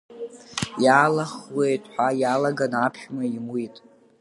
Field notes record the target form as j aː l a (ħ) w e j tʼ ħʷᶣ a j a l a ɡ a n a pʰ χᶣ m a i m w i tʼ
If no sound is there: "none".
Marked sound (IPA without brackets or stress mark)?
χ